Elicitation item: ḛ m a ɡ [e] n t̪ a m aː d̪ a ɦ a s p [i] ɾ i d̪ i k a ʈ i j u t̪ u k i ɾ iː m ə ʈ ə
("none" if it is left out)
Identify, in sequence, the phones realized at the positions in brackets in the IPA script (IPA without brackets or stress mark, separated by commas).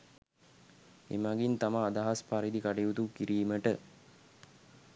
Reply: i, a